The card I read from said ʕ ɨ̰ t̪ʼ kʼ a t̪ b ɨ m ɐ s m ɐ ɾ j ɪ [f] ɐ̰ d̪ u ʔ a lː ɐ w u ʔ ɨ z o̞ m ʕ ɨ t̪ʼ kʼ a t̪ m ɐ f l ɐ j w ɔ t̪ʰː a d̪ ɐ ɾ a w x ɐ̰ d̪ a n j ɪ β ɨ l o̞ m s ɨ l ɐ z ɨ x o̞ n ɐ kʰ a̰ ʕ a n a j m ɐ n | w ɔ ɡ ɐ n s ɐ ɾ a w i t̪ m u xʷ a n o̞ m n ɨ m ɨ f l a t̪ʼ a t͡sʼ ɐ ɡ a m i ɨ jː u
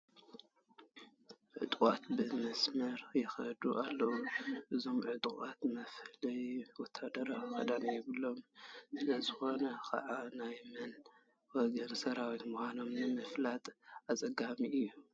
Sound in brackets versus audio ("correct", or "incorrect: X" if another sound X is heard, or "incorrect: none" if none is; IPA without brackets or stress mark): incorrect: x